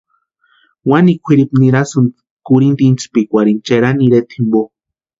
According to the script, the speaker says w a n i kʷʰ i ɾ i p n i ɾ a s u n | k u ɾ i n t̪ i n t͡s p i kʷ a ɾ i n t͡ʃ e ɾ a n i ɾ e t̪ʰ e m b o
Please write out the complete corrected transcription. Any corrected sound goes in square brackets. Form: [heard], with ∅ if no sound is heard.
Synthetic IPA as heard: w a n i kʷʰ i ɾ i p n i ɾ a s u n | k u ɾ i n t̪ i n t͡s p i kʷ a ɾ i n t͡ʃ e ɾ a n i ɾ e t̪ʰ [i] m b o